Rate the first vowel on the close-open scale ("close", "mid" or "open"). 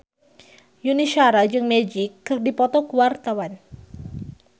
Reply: close